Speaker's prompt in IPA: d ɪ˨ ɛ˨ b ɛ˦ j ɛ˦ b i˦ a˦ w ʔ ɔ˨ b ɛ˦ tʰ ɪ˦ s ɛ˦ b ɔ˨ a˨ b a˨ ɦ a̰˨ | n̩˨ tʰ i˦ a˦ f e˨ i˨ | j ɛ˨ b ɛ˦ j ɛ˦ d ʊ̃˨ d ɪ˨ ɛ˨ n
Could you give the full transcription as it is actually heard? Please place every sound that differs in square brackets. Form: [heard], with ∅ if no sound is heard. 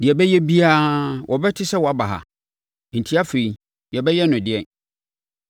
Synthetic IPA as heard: d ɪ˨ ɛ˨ b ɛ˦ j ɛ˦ b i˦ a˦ w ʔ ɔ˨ b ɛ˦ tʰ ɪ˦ s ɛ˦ [w] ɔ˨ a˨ b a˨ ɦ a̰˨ | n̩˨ tʰ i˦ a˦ f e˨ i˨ | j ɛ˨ b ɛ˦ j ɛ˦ [n] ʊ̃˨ d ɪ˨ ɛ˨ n